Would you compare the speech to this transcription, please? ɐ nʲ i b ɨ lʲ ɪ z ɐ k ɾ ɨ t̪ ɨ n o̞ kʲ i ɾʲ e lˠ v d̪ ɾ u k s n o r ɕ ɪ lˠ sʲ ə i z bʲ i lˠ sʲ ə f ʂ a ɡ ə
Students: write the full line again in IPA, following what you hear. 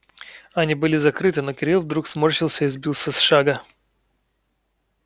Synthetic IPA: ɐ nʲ i b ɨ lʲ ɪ z ɐ k ɾ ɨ t̪ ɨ n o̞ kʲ ɪ ɾʲ i lˠ v d̪ ɾ u k s m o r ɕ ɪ lˠ sʲ ə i z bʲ i lˠ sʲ ə s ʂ a ɡ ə